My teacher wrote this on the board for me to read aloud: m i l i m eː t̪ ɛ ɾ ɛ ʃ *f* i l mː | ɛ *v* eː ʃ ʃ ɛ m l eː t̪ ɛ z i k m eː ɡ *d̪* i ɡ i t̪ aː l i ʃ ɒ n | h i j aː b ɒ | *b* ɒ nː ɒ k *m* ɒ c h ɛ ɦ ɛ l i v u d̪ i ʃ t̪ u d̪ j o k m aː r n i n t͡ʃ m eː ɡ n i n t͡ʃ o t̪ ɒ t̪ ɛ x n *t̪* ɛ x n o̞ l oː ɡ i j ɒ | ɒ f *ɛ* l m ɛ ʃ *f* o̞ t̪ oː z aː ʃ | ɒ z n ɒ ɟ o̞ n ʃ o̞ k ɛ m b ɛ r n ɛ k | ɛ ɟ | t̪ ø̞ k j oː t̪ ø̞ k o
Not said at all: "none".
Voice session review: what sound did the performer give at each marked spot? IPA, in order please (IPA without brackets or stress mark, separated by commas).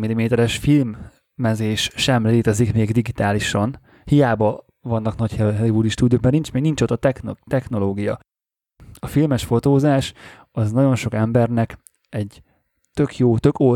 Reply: f, z, d̪, v, n, t̪, i, f